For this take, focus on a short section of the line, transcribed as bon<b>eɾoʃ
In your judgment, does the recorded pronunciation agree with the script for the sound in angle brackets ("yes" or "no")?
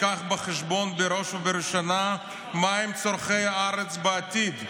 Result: yes